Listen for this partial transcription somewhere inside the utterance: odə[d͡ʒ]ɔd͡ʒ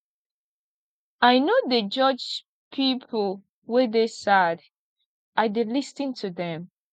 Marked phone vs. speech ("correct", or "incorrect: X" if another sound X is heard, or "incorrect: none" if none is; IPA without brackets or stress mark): correct